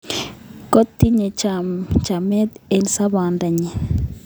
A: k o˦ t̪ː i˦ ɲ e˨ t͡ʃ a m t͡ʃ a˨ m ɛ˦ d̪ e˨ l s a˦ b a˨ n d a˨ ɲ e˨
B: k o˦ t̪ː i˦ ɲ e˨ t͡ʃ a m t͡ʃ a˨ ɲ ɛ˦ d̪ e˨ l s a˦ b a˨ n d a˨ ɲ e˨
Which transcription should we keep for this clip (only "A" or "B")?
A